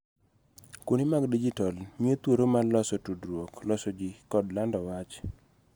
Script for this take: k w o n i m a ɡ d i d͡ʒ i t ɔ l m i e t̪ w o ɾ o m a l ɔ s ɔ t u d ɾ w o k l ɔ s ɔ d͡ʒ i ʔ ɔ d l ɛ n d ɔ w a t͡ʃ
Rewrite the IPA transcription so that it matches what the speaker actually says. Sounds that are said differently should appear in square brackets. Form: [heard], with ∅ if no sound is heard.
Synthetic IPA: k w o n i m a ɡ d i d͡ʒ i t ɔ l m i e t̪ w o ɾ o m a l ɔ s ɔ t u d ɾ w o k l ɔ s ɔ d͡ʒ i [k] ɔ d l [a] n d ɔ w a t͡ʃ